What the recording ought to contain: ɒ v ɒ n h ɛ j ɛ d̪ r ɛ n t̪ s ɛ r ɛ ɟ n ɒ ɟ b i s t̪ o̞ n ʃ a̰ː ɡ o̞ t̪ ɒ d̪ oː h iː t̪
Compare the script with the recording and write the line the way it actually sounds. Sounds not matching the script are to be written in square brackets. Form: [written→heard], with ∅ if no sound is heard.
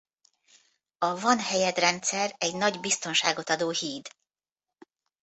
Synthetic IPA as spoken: ɒ v ɒ n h ɛ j ɛ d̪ r ɛ n t̪ s ɛ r ɛ ɟ n ɒ ɟ b i s t̪ o̞ n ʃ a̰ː ɡ o̞ t̪ ɒ d̪ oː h iː [t̪→d̪]